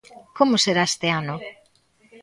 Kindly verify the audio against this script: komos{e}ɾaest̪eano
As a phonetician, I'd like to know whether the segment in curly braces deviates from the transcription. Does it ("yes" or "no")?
no